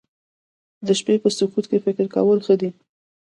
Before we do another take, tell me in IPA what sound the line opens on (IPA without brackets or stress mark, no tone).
d̪